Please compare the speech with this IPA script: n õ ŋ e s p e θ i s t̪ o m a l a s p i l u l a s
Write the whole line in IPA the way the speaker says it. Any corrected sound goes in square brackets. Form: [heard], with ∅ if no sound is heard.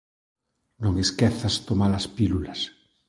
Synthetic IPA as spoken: n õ ŋ e s [k] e θ [a] s t̪ o m a l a s p i l u l a s